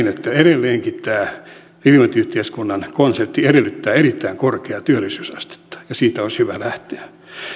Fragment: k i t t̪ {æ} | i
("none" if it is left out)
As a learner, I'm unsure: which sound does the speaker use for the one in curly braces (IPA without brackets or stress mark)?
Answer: æː